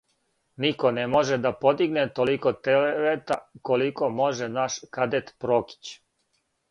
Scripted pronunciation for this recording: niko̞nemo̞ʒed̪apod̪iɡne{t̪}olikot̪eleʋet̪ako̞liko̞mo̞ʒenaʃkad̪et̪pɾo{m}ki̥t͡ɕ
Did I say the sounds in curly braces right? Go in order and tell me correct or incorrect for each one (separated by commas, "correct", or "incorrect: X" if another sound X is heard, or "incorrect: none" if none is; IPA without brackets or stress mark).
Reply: correct, incorrect: none